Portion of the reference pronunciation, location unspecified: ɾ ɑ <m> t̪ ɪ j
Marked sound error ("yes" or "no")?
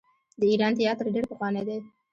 yes